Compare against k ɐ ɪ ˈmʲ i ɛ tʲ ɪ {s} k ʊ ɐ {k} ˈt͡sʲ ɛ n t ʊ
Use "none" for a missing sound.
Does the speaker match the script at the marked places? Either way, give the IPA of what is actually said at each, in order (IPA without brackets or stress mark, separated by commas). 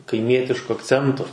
ʃ, k